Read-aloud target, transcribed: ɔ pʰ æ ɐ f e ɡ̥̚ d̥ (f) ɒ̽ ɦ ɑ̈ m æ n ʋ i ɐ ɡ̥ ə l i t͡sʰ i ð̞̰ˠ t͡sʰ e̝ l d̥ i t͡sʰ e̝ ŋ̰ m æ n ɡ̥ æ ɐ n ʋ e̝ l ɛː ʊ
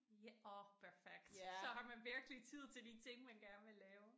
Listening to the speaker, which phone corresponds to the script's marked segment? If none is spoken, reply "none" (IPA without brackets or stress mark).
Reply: s